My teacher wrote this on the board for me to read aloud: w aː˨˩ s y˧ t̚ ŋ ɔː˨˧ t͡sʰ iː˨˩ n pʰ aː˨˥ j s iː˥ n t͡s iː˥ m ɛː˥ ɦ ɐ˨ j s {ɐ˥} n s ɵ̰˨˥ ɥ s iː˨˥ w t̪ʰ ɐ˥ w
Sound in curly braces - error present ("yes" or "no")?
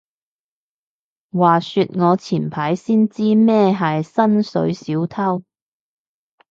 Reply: no